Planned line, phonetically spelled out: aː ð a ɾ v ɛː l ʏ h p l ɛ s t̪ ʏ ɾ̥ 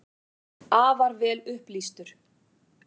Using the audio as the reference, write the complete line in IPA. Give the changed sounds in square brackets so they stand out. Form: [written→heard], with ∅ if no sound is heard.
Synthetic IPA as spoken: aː [ð→v] a ɾ v ɛː l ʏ h p l [ɛ→i] s t̪ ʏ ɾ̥